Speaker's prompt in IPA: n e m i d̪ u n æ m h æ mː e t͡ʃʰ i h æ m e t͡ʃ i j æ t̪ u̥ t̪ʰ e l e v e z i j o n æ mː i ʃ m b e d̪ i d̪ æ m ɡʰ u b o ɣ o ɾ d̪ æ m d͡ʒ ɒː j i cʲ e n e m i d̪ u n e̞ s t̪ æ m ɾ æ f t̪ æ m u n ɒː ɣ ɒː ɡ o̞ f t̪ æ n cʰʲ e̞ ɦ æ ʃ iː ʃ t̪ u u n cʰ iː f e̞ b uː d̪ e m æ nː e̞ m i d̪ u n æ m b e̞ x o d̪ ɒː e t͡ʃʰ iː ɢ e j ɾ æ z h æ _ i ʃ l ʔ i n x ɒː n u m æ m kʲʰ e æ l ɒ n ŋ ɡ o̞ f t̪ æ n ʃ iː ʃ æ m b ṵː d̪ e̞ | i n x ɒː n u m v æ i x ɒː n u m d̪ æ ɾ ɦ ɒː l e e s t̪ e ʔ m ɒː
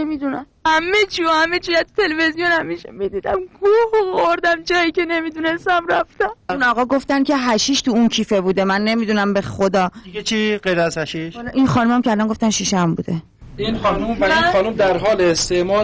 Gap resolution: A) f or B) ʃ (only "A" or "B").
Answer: B